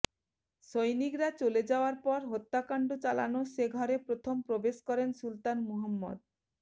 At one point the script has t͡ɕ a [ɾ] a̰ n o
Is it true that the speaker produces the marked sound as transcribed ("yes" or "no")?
no